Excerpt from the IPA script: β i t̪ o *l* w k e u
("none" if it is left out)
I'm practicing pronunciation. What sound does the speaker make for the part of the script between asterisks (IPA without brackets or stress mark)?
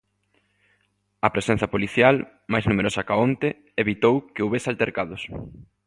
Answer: none